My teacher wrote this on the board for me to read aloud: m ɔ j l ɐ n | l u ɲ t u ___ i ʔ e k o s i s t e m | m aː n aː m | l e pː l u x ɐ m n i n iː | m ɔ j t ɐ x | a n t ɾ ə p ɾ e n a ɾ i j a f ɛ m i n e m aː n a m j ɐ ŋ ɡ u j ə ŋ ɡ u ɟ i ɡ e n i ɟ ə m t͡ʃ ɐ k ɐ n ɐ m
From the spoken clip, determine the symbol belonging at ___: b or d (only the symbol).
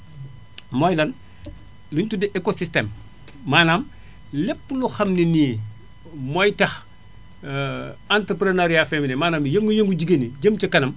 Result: d